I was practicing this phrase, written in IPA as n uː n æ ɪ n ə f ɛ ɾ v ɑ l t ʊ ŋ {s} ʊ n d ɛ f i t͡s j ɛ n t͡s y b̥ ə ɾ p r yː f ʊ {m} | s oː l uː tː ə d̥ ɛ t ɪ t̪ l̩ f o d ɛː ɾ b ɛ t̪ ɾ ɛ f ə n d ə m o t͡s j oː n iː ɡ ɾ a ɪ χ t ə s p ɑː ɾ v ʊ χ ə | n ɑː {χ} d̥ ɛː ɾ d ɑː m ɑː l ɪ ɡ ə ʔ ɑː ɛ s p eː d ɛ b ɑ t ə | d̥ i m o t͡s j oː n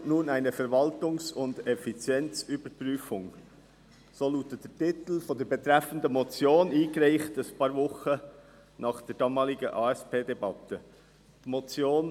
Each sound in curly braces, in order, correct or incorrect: correct, incorrect: ŋ, correct

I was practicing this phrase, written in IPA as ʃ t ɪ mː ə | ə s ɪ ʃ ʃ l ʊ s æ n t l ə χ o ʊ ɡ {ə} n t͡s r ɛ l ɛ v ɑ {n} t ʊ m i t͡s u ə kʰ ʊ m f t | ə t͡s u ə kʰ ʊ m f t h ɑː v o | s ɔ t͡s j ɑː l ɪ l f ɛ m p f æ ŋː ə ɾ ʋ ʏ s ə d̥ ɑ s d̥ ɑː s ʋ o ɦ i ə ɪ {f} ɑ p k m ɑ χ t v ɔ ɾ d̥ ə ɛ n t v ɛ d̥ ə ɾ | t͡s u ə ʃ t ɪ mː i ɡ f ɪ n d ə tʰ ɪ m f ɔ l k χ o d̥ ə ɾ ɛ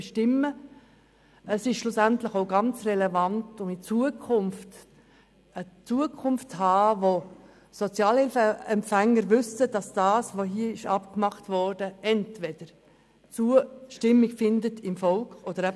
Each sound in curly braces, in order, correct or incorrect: incorrect: ɑ, correct, incorrect: ʃ

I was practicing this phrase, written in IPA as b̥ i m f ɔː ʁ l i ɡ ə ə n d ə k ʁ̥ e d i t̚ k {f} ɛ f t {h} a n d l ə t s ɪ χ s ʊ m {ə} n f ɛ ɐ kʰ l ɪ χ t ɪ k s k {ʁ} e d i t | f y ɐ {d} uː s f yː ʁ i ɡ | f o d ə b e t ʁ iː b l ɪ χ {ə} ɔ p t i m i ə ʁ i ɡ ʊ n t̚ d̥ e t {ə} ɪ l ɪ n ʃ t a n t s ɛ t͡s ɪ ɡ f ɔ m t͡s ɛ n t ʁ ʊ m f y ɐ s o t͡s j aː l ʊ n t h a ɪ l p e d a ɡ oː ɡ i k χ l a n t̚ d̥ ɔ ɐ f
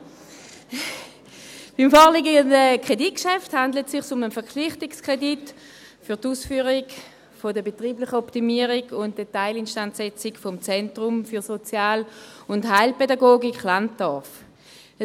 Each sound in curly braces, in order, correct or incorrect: incorrect: ʃ, correct, correct, correct, incorrect: t, correct, incorrect: a

